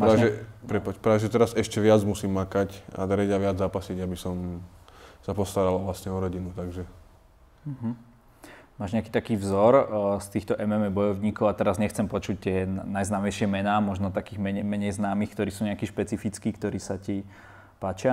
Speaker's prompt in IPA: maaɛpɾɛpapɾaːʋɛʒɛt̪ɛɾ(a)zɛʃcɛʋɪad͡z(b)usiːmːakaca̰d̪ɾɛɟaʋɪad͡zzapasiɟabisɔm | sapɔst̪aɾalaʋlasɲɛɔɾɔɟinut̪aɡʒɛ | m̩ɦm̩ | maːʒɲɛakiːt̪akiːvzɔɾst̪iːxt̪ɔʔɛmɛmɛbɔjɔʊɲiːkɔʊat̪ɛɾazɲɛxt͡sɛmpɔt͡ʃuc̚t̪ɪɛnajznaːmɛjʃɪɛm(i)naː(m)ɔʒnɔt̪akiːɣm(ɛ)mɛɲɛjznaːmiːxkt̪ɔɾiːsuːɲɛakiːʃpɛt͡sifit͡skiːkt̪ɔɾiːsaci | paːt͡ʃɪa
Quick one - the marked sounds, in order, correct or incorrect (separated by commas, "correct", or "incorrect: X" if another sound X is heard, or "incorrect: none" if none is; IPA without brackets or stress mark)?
correct, incorrect: m, incorrect: ɛ, correct, correct